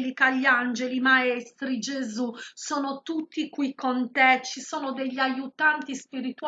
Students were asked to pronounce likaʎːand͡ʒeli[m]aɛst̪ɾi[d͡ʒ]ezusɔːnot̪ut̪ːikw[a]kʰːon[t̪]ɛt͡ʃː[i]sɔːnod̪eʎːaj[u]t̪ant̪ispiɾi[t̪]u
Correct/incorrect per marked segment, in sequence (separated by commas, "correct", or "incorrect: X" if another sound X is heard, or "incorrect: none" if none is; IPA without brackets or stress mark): correct, correct, incorrect: i, correct, correct, correct, correct